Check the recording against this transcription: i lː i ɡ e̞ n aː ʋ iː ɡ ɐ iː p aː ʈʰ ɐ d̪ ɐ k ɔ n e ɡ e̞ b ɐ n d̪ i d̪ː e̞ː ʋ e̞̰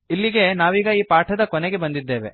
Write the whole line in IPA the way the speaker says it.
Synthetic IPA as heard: i lː i ɡ e̞ n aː ʋ iː ɡ ɐ iː p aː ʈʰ ɐ d̪ ɐ k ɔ n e ɡ e̞ b ɐ n d̪ i d̪ː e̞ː ʋ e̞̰

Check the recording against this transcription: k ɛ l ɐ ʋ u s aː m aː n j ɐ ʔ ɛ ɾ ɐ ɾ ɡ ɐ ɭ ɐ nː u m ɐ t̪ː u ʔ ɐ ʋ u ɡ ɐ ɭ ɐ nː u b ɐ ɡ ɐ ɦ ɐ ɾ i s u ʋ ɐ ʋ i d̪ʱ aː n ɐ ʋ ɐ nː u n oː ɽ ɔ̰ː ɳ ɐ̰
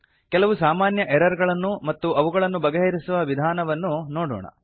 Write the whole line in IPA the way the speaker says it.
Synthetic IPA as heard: k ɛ l ɐ ʋ u s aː m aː n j ɐ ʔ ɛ ɾ ɐ ɾ ɡ ɐ ɭ ɐ nː u m ɐ t̪ː u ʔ ɐ ʋ u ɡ ɐ ɭ ɐ nː u b ɐ ɡ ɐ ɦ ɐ ɾ i s u ʋ ɐ ʋ i d̪ʱ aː n ɐ ʋ ɐ nː u n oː ɽ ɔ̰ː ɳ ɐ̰

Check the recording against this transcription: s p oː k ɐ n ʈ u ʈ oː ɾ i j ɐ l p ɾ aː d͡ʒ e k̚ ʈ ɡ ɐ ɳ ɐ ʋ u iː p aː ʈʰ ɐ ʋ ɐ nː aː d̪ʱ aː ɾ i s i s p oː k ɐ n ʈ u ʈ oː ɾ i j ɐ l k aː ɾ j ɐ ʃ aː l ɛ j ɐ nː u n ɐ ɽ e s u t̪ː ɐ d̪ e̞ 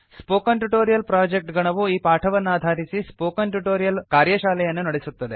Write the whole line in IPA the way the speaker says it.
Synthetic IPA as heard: s p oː k ɐ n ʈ u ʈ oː ɾ i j ɐ l p ɾ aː d͡ʒ e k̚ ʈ ɡ ɐ ɳ ɐ ʋ u iː p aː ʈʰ ɐ ʋ ɐ nː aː d̪ʱ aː ɾ i s i s p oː k ɐ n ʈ u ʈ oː ɾ i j ɐ l k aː ɾ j ɐ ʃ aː l ɛ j ɐ nː u n ɐ ɽ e s u t̪ː ɐ d̪ e̞

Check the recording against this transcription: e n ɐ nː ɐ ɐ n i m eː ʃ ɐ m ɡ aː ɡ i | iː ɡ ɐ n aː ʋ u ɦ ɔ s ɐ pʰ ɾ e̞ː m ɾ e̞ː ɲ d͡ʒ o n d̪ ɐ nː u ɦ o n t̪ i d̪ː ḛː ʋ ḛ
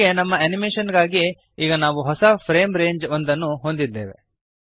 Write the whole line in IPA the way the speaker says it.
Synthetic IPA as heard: e n ɐ mː ɐ ɐ n i m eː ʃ ɐ n ɡ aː ɡ i | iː ɡ ɐ n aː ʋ u ɦ ɔ s ɐ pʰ ɾ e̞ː m ɾ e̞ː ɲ d͡ʒ o n d̪ ɐ nː u ɦ o n d̪ i d̪ː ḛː ʋ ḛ

